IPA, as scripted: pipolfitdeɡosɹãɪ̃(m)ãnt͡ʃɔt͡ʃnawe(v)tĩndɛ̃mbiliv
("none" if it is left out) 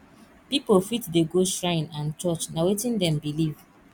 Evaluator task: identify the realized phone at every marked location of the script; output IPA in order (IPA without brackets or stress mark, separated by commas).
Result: n, none